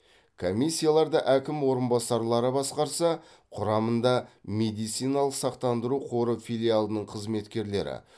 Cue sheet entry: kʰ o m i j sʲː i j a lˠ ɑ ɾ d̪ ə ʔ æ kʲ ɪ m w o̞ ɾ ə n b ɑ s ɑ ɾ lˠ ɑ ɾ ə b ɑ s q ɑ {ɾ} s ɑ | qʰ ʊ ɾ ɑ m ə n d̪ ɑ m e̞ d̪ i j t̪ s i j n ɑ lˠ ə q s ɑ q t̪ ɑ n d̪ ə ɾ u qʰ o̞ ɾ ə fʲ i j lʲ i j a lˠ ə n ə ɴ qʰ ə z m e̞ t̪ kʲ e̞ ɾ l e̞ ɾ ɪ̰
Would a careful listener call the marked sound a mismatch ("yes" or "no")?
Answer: no